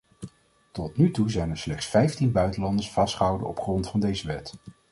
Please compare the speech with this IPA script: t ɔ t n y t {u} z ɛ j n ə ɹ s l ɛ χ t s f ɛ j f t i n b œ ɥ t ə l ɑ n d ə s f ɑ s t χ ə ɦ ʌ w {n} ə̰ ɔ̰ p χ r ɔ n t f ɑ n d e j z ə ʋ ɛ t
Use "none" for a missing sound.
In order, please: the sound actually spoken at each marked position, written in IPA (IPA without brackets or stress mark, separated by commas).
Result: u, d